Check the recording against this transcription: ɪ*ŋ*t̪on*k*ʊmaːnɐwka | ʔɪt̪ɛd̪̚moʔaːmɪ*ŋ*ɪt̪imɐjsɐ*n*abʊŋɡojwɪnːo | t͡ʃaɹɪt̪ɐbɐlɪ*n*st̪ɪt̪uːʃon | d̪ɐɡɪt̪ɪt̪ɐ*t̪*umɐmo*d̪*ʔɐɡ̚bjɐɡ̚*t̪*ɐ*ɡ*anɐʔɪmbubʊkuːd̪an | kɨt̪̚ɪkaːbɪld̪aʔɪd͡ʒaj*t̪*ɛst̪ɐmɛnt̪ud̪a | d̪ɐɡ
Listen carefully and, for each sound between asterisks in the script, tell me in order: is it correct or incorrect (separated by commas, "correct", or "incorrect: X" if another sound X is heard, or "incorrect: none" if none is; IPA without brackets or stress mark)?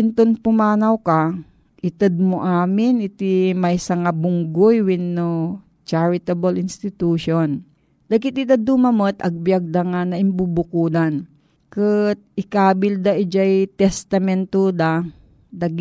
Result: incorrect: n, incorrect: p, incorrect: n, incorrect: ŋ, correct, incorrect: d̪, incorrect: t̪, incorrect: d̪, incorrect: ŋ, correct